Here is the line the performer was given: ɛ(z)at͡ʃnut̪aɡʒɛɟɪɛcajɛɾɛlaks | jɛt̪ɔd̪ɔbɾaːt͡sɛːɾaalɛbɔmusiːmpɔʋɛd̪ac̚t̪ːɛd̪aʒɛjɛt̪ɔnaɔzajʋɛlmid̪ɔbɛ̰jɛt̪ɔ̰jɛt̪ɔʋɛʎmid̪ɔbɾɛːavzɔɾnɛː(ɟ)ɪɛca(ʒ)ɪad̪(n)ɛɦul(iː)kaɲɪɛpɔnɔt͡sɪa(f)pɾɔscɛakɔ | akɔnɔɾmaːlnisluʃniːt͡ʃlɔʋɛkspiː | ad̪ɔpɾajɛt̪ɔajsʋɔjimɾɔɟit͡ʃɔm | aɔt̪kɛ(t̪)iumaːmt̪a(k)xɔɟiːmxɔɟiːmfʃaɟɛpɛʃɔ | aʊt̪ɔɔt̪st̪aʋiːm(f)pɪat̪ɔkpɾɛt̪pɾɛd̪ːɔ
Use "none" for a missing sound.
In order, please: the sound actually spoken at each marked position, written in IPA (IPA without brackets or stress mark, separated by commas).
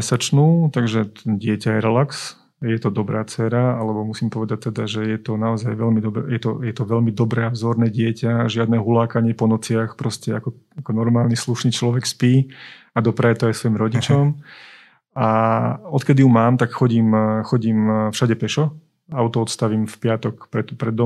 s, ɟ, ʒ, n, aː, x, d̪, k, f